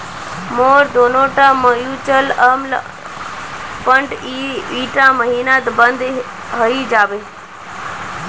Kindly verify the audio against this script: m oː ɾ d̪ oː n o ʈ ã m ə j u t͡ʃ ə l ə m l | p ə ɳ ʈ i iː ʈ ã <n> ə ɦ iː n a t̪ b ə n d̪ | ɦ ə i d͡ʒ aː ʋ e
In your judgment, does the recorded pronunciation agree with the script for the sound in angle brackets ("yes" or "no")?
no